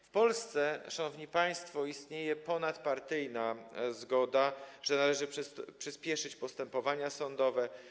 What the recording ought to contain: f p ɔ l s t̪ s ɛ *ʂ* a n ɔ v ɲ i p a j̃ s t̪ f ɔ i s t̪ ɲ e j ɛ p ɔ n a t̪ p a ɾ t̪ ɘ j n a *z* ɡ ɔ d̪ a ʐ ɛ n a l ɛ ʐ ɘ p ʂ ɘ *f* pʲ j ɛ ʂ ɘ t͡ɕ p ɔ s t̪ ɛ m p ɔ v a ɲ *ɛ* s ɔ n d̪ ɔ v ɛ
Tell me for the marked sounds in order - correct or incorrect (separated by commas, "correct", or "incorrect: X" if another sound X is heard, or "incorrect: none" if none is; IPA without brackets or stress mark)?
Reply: correct, correct, incorrect: s, incorrect: a